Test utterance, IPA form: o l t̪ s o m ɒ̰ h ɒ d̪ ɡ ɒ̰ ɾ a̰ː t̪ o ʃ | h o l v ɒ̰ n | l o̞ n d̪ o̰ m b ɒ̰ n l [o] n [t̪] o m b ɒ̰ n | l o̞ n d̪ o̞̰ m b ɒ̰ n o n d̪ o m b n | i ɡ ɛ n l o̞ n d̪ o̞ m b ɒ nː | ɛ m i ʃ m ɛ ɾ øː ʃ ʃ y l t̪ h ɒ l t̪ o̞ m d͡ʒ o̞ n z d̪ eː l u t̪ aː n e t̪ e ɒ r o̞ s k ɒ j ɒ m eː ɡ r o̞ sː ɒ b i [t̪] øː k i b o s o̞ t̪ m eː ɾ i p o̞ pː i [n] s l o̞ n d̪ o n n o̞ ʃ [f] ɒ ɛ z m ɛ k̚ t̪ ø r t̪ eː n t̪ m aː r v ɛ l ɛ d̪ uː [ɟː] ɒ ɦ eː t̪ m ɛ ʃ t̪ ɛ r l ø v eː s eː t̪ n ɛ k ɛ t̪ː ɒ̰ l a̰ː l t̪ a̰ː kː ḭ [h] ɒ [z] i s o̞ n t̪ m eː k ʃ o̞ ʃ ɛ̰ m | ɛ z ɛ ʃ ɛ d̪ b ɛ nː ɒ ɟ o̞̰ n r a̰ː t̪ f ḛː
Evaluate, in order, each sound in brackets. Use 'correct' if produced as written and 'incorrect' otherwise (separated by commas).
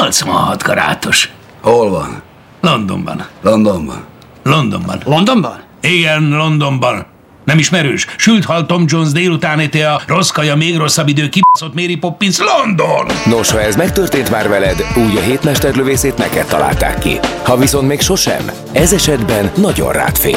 correct, incorrect, incorrect, correct, incorrect, incorrect, correct, incorrect